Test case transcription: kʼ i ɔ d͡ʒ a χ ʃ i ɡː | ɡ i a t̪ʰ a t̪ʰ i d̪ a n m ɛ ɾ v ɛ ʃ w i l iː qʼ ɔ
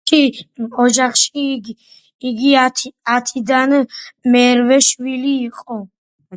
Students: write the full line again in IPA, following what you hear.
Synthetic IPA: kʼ i ɔ d͡ʒ a χ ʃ i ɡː | ɡ i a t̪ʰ a t̪ʰ i d̪ a n m ɛ ɾ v ɛ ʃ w i l iː qʼ ɔ